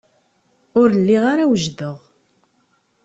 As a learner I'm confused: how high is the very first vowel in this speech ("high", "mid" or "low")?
high